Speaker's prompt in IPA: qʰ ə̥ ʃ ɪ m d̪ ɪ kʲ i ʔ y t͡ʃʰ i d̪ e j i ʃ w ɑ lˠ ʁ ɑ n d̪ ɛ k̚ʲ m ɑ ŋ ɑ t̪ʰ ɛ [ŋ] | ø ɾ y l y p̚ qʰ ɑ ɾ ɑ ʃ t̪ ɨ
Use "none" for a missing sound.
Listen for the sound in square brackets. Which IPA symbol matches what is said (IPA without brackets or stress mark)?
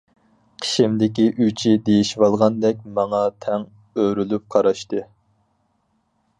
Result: ŋ